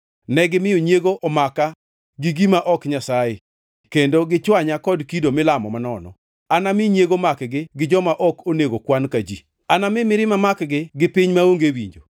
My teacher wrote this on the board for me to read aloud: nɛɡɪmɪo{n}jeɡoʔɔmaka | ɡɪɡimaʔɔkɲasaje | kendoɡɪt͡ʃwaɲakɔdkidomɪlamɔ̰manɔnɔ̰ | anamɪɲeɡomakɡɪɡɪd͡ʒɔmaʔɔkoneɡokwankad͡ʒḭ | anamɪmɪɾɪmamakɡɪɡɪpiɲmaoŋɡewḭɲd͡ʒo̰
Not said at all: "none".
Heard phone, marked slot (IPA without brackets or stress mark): ɲ